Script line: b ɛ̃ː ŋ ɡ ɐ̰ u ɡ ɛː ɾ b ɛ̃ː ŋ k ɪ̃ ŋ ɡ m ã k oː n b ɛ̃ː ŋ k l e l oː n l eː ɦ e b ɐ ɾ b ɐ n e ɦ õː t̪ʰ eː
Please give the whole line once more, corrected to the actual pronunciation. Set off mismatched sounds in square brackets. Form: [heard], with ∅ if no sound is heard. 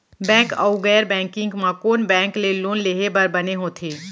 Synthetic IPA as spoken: b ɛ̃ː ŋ [k] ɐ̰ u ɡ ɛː ɾ b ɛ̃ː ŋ k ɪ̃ ŋ ɡ m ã k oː n b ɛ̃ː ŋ k l e l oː n l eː ɦ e b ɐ ɾ b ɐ n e ɦ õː t̪ʰ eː